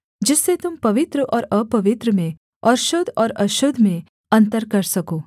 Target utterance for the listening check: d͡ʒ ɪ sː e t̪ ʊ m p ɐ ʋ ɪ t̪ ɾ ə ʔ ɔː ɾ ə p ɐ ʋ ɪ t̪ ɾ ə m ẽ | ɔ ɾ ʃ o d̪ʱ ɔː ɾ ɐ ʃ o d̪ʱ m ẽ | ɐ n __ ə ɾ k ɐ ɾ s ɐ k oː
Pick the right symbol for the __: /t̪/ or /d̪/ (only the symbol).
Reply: t̪